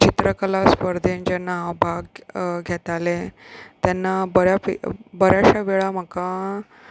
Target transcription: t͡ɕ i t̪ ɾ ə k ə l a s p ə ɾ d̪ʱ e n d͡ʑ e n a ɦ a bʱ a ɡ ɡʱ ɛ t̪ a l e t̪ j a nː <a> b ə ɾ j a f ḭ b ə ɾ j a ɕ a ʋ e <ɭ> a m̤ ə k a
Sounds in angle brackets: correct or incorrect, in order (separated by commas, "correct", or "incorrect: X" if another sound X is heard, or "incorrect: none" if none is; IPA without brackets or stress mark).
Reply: correct, correct